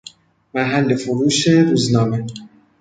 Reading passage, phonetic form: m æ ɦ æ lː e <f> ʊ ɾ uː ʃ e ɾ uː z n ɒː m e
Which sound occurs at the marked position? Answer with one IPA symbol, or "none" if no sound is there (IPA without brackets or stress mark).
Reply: f